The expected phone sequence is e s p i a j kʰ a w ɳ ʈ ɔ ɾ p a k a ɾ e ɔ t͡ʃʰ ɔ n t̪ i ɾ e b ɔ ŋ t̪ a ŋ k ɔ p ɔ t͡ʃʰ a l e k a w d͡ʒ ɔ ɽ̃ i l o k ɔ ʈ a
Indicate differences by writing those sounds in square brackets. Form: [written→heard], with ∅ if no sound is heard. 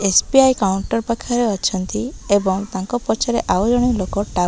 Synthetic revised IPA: e s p i a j [kʰ→k] a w ɳ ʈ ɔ ɾ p a [k→kʰ] a ɾ e ɔ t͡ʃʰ ɔ n t̪ i [ɾ→∅] e b ɔ ŋ t̪ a ŋ k ɔ p ɔ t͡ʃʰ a [l→ɾ] e [k→ʔ] a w d͡ʒ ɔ ɽ̃ i l o k ɔ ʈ a